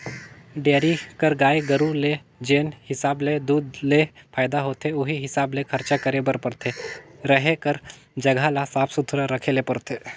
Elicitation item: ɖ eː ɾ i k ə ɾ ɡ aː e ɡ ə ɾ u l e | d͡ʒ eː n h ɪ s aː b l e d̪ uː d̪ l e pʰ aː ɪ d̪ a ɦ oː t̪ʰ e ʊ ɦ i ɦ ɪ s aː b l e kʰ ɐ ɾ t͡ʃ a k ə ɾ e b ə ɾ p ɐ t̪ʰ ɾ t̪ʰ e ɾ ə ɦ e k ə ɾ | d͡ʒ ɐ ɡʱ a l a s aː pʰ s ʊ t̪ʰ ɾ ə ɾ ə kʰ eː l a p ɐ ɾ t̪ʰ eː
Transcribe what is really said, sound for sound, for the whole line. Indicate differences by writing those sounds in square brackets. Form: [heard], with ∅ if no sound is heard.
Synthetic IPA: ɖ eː ɾ i k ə ɾ ɡ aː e ɡ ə ɾ u l e | d͡ʒ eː n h ɪ s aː b l e d̪ uː d̪ l e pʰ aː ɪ d̪ a ɦ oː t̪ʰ e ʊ ɦ i ɦ ɪ s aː b l e kʰ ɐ ɾ t͡ʃ a k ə ɾ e b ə ɾ p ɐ [∅] ɾ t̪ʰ e ɾ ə ɦ e k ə ɾ | d͡ʒ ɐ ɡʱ a l a s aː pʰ s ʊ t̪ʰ ɾ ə ɾ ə kʰ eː l [e] p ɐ ɾ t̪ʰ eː